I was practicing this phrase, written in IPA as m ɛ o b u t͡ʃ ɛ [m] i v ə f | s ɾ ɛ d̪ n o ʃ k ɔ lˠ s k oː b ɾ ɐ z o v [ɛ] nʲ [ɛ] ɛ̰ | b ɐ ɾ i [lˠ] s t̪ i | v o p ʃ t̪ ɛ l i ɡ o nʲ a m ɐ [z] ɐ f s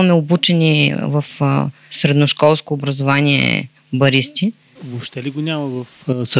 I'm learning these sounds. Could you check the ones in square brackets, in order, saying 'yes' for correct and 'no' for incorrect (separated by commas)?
no, no, no, no, no